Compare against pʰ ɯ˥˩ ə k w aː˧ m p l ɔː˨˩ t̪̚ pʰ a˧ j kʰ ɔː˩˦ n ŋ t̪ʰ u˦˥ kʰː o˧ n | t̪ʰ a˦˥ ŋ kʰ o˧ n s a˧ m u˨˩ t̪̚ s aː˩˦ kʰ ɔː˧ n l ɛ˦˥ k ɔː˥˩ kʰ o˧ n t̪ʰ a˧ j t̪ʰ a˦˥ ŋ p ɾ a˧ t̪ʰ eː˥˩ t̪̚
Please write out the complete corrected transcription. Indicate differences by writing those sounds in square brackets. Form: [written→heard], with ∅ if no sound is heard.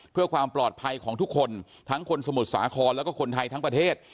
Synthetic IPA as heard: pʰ ɯ˥˩ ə k w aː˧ m p l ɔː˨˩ t̪̚ pʰ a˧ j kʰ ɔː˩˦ [n→∅] ŋ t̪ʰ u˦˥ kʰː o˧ n | t̪ʰ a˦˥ ŋ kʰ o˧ n s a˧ m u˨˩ t̪̚ s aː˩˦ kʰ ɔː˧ n l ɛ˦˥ k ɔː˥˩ kʰ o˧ n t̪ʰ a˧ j t̪ʰ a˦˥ ŋ p ɾ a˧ t̪ʰ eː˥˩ t̪̚